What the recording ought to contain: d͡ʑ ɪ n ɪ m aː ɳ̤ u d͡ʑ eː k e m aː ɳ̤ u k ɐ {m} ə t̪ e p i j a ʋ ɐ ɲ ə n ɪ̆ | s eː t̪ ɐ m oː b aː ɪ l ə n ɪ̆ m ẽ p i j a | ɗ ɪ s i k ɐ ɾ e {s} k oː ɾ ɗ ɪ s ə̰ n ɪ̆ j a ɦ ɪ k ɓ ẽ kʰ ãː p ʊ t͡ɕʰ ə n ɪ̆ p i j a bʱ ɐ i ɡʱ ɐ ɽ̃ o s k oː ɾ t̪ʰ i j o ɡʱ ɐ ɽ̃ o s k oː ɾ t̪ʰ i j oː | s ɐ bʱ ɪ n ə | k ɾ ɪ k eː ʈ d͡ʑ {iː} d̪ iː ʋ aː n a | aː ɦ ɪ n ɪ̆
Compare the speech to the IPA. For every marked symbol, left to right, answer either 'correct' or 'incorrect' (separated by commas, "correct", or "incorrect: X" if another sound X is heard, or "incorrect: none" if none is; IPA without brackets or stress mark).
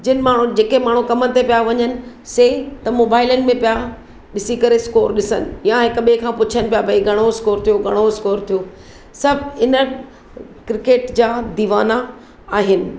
correct, correct, incorrect: aː